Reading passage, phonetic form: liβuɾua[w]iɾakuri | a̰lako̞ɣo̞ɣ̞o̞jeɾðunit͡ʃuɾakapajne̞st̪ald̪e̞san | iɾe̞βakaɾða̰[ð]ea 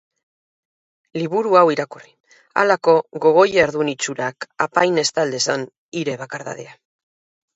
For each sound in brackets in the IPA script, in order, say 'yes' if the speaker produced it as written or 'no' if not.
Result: yes, yes

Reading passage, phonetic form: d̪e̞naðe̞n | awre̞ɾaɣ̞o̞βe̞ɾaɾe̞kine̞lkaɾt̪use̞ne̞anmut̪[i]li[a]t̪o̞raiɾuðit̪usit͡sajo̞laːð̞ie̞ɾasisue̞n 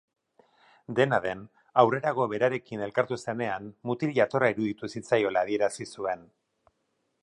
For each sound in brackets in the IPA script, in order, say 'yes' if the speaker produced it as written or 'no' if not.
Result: yes, yes

